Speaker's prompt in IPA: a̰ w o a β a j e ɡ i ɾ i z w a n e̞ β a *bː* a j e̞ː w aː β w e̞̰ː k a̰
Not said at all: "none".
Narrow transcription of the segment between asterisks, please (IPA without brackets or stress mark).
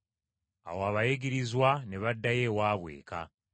dː